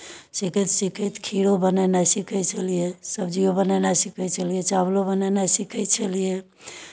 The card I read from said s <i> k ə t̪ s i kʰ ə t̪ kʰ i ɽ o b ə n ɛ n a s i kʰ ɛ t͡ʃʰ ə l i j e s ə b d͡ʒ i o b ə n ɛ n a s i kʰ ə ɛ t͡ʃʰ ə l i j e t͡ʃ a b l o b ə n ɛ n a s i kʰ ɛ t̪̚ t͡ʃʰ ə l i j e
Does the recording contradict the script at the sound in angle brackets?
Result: no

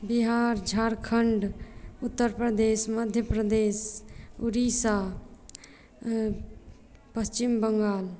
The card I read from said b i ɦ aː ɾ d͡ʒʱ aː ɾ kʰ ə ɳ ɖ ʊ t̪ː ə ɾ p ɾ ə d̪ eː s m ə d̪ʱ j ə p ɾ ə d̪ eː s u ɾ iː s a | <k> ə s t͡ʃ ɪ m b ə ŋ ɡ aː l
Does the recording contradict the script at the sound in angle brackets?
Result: yes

